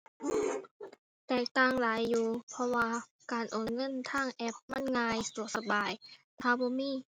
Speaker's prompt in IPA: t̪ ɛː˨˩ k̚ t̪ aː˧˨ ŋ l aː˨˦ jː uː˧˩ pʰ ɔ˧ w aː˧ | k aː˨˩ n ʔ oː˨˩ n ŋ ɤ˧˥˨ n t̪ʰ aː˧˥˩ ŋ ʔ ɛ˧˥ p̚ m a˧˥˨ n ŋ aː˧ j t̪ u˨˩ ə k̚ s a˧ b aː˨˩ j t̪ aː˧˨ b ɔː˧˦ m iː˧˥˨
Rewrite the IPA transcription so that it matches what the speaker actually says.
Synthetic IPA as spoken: t̪ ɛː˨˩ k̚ t̪ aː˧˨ ŋ l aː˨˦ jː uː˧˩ pʰ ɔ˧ w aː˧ | k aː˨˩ n ʔ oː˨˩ n ŋ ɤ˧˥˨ n t̪ʰ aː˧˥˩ ŋ ʔ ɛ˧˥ p̚ m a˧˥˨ n ŋ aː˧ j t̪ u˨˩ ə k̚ s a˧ b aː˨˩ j t̪ʰ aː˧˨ b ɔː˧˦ m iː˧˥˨